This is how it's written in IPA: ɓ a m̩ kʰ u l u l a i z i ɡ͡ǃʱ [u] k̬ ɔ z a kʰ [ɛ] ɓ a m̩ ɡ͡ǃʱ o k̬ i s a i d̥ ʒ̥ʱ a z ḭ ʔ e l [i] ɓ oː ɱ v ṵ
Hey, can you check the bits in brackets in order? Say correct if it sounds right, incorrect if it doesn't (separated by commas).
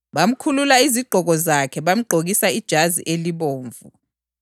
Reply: incorrect, correct, correct